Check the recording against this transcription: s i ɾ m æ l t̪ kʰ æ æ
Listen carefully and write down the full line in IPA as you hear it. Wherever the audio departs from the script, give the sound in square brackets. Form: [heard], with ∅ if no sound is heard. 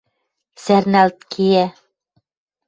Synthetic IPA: s [æ] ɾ [n] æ l t̪ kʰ [i] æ